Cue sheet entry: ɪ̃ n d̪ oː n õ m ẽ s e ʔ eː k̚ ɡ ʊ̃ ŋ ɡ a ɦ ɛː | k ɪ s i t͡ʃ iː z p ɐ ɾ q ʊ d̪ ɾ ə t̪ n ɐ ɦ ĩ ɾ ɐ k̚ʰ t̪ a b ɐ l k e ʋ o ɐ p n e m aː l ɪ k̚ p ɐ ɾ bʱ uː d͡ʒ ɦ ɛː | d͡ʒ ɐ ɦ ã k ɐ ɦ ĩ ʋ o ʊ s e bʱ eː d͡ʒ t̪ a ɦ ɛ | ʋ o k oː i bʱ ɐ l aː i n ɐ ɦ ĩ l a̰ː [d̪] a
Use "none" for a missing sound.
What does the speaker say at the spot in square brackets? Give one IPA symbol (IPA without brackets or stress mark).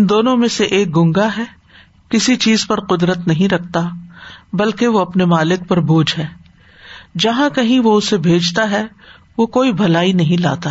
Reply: t̪